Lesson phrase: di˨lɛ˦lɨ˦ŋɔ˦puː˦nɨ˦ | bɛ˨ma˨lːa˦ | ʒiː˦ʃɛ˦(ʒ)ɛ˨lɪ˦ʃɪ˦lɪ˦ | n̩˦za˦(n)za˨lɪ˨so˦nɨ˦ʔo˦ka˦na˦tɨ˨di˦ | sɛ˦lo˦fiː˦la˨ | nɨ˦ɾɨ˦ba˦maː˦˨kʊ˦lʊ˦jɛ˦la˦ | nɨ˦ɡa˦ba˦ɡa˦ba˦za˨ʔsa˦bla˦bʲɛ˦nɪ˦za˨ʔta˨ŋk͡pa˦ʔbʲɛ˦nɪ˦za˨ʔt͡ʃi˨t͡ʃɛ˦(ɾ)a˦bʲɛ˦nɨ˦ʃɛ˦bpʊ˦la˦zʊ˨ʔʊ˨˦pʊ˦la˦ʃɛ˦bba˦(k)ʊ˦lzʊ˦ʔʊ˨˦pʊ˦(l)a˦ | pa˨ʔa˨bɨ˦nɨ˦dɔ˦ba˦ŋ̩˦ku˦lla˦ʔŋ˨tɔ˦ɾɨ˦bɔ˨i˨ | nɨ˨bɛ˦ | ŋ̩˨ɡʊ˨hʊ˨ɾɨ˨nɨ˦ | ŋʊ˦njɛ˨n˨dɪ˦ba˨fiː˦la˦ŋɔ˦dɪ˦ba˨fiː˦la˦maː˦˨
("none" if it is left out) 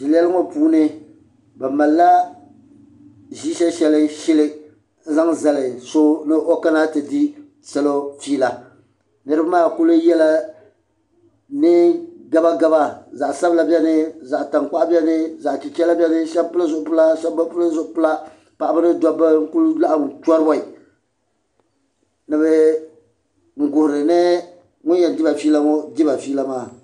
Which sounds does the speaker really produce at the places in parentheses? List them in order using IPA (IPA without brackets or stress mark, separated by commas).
ʃ, ŋ, l, p, l